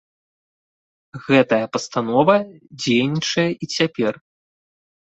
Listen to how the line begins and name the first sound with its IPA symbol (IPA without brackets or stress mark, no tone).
ɣ